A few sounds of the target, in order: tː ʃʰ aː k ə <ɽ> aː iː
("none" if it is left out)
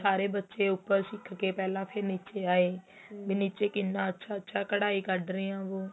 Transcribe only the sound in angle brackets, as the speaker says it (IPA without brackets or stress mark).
ɽ